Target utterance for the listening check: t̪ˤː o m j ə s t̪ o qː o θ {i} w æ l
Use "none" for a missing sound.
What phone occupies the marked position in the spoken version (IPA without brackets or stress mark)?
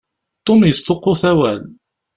æ